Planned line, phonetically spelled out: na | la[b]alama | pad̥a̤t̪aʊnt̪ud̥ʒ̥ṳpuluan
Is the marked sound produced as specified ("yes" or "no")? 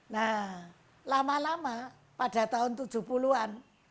no